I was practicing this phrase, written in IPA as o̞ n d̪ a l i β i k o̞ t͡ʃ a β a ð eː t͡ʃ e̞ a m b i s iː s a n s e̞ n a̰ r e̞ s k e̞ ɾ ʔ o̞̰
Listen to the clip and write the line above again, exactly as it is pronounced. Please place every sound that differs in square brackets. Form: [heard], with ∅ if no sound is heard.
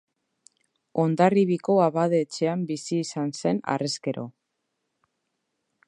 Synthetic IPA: o̞ n d̪ a [r] i β i k o̞ [∅] a β a ð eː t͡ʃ e̞ a m b i s iː s a n s e̞ n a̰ r e̞ s k e̞ ɾ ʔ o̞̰